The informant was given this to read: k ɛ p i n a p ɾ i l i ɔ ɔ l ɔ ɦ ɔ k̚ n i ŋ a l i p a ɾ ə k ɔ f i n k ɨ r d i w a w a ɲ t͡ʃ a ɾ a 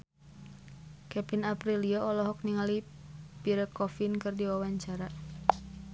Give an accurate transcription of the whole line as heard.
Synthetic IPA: k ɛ p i n a p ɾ i l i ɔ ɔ l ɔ ɦ ɔ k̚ n i ŋ a l i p i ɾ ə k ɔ f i n k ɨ r d i w a w a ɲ t͡ʃ a ɾ a

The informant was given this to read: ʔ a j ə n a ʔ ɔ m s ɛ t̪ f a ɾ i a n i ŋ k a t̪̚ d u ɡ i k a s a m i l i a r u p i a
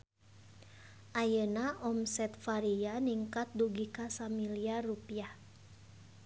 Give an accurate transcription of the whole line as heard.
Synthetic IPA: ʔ a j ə n a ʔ ɔ m s ɛ t̪ f a ɾ i a n i ŋ k a t̪̚ d u ɡ i k a s a m i l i a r u p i a

